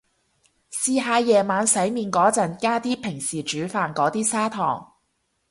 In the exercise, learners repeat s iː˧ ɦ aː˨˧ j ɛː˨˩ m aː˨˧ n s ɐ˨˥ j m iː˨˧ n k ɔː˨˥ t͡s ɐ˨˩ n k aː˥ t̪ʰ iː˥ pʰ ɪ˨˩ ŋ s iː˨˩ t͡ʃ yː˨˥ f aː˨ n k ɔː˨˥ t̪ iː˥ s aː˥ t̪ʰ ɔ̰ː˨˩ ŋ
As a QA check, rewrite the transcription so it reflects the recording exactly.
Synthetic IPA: s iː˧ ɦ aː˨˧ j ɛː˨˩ m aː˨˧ n s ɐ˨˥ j m iː˨˧ n k ɔː˨˥ t͡s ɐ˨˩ n k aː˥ t̪ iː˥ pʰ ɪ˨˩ ŋ s iː˨˩ t͡ʃ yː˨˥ f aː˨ n k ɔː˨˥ t̪ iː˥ s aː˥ t̪ʰ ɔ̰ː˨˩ ŋ